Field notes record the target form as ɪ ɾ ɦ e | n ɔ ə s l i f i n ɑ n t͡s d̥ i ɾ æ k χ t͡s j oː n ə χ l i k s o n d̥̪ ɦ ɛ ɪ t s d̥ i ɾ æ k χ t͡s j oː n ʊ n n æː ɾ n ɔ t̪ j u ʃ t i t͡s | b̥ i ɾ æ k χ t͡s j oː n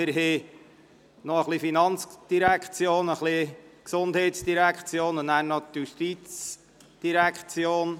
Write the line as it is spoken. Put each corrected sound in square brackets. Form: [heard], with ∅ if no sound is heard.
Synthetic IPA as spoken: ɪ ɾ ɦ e | n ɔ ə [χ] l i f i n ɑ n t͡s d̥ i ɾ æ k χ t͡s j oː n ə χ l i k s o n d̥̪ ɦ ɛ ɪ t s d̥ i ɾ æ k χ t͡s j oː n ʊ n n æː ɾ n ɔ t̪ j u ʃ t i t͡s | [d̥] i ɾ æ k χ t͡s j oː n